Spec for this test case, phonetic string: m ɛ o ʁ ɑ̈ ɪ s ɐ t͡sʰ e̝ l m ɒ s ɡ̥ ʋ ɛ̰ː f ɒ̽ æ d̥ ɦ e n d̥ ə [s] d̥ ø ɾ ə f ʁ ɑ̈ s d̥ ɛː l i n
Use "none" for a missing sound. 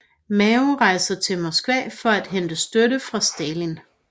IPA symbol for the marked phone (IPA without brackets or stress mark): s